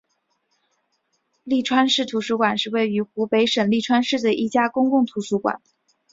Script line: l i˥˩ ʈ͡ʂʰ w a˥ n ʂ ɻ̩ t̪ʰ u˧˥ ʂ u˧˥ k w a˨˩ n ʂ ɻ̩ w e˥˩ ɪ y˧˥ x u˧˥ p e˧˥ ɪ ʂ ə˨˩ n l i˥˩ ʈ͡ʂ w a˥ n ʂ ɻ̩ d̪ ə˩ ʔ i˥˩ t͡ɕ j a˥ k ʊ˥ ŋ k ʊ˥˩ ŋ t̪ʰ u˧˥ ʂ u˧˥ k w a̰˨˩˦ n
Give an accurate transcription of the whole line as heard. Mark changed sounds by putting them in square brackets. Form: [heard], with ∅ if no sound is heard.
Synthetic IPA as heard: l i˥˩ ʈ͡ʂʰ w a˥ n ʂ ɻ̩ t̪ʰ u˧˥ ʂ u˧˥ k w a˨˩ n ʂ ɻ̩ w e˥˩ ɪ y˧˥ x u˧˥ p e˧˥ ɪ ʂ ə˨˩ n l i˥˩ [ʈ͡ʂʰ] w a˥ n ʂ ɻ̩ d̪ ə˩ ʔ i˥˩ t͡ɕ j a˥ k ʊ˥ ŋ k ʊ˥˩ ŋ t̪ʰ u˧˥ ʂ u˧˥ k w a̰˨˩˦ n